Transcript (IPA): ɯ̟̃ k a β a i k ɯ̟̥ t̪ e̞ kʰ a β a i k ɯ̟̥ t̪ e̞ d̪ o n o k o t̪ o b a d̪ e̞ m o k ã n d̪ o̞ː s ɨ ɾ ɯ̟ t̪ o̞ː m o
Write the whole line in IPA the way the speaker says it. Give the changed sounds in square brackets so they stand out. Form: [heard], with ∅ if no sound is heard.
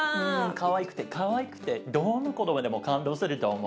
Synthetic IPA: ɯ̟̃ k a β a i k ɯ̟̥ t̪ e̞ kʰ a β a i k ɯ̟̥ t̪ e̞ d̪ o n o k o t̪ o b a d̪ e̞ m o k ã n d̪ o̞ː s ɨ ɾ ɯ̟ t̪ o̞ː m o